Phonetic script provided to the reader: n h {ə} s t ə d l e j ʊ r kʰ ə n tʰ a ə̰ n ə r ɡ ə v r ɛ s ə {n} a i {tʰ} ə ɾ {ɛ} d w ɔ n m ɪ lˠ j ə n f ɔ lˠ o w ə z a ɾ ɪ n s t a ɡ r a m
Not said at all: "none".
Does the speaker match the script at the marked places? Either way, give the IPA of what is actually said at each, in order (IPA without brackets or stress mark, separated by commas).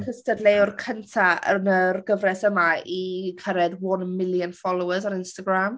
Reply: ə, m, kʰ, ɛ